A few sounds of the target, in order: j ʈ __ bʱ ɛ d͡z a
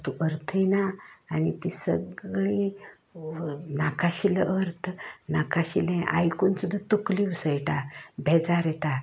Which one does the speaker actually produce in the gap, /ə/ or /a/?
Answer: a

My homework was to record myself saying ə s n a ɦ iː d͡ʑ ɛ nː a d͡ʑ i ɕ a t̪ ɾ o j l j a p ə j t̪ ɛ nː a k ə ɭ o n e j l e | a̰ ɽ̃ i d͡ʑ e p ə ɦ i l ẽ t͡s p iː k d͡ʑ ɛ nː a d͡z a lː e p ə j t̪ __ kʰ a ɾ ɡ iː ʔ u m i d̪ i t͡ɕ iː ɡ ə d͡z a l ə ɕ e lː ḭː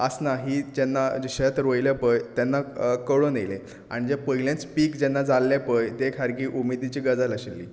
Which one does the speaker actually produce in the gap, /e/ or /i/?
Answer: e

